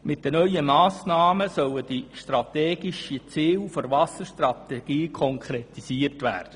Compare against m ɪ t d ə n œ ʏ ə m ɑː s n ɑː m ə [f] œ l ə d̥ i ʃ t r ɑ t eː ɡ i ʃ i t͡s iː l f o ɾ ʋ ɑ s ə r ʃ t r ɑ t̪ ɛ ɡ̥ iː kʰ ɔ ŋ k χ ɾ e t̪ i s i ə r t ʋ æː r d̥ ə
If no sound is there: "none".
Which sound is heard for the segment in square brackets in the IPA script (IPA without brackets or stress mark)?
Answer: s